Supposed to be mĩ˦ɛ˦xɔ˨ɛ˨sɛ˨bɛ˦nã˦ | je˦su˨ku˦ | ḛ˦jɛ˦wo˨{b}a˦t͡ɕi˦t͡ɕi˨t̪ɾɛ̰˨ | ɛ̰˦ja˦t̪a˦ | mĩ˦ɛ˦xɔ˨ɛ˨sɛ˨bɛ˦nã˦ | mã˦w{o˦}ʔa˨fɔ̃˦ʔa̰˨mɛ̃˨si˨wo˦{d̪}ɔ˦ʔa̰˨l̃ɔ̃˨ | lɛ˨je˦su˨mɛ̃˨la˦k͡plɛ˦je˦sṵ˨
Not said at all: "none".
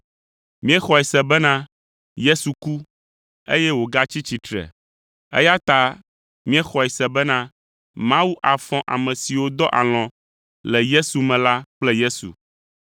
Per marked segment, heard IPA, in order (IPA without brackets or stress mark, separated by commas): ɡ, u˦, d̪